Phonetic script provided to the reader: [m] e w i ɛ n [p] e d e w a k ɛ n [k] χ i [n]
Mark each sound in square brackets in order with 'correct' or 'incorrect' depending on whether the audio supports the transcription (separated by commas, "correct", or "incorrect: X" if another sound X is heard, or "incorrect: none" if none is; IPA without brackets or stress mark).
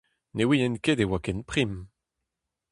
incorrect: n, incorrect: k, incorrect: p, incorrect: m